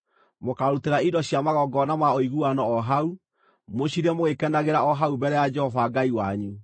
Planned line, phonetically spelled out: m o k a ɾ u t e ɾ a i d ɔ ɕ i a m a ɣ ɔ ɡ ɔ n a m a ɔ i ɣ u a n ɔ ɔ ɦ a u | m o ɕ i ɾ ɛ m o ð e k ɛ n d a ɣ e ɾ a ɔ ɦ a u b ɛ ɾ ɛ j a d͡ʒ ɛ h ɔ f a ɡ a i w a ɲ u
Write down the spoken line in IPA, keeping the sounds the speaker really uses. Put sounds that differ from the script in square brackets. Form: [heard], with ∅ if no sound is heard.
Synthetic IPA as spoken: m o k a ɾ u t e ɾ a i d ɔ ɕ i a m a ɣ ɔ ɡ ɔ n a m a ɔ i ɣ u a n ɔ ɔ ɦ a u | m o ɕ i ɾ ɛ m o [ɣ] e k ɛ n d a ɣ e ɾ a ɔ ɦ a u b ɛ ɾ ɛ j a d͡ʒ ɛ h ɔ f a ɡ a i w a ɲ u